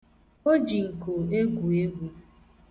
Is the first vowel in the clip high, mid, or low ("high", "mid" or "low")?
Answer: mid